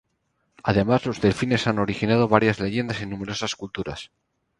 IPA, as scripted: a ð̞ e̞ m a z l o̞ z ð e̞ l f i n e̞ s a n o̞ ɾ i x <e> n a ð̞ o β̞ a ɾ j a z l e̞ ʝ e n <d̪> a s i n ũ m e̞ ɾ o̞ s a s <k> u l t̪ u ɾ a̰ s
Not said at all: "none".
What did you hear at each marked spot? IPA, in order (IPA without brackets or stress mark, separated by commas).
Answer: i, d̪, k